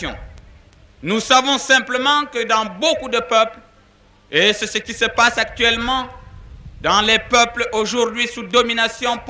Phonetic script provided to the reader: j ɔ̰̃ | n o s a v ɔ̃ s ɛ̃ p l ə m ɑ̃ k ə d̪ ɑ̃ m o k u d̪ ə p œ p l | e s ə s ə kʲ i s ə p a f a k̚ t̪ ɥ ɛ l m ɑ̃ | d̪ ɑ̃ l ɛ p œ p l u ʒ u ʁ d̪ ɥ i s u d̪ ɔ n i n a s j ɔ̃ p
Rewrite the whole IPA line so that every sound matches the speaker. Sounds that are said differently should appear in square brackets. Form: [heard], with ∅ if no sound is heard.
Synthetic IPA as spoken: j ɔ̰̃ | n [u] s a v ɔ̃ s ɛ̃ p l ə m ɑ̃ k ə d̪ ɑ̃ [b] o k u d̪ ə p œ p l | e s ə s ə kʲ i s ə p a [s] a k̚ t̪ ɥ ɛ l m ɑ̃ | d̪ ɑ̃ l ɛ p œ p l [o] ʒ u ʁ d̪ ɥ i s u d̪ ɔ [m] i n a s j ɔ̃ p